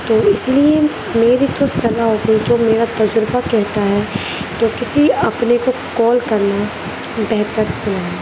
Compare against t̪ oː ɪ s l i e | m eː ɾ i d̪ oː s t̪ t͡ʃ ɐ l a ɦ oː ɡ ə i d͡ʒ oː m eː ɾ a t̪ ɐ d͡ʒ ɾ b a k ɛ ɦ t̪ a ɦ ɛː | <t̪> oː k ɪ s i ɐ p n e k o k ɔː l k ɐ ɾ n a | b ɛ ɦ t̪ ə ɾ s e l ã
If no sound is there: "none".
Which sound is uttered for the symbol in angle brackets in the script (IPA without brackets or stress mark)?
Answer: t̪